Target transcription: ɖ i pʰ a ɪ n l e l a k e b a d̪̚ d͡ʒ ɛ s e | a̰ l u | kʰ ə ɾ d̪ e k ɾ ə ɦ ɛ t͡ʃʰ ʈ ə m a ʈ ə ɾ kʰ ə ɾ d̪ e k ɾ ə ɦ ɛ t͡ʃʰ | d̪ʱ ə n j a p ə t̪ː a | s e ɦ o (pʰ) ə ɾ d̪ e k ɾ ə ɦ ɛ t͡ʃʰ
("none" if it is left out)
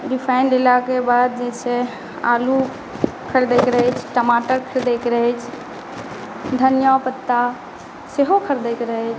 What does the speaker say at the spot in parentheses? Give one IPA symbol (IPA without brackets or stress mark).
kʰ